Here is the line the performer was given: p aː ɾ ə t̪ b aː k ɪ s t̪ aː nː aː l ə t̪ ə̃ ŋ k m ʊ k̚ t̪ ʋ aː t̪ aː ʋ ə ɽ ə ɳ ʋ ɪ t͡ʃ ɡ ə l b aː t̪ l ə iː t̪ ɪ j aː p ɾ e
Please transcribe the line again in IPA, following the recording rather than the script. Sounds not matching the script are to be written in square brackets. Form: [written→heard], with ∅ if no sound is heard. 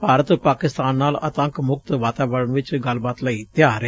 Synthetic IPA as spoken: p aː ɾ ə t̪ [b→p] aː k ɪ s t̪ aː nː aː l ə t̪ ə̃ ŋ k m ʊ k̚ t̪ ʋ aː t̪ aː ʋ ə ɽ ə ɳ ʋ ɪ t͡ʃ ɡ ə l b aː t̪ l ə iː t̪ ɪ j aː [p→∅] ɾ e